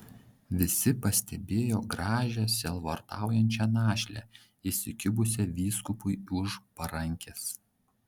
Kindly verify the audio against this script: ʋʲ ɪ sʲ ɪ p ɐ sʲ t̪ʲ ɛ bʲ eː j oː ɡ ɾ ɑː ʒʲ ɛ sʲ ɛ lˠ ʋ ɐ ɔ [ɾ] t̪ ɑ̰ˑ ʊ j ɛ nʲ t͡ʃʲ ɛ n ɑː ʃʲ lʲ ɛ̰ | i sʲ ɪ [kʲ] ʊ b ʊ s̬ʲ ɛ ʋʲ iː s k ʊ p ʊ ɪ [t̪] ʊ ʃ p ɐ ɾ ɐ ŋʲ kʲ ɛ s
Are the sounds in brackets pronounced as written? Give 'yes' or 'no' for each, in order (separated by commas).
yes, yes, no